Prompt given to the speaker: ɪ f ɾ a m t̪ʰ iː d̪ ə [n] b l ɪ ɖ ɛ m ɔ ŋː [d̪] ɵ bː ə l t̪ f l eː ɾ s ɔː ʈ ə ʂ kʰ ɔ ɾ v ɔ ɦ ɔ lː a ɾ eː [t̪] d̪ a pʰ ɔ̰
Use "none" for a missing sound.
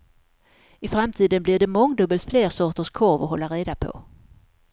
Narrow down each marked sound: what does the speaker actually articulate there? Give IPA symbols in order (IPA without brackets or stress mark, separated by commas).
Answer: n, d̪, none